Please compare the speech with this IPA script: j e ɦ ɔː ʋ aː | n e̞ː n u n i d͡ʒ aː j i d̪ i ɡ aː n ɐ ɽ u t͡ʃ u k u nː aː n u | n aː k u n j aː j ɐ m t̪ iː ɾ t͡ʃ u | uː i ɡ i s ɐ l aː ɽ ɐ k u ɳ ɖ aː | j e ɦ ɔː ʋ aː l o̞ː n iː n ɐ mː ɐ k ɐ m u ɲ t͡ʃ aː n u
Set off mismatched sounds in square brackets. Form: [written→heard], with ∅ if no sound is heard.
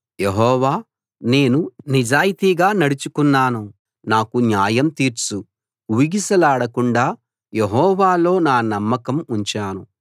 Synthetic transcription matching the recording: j e ɦ ɔː ʋ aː | n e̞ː n u n i d͡ʒ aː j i [d̪→t̪] i ɡ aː n ɐ ɽ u t͡ʃ u k u nː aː n u | n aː k u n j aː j ɐ m t̪ iː ɾ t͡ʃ u | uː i ɡ i s ɐ l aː ɽ ɐ k u ɳ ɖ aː | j e ɦ ɔː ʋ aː l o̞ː n [iː→aː] n ɐ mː ɐ k ɐ m u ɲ t͡ʃ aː n u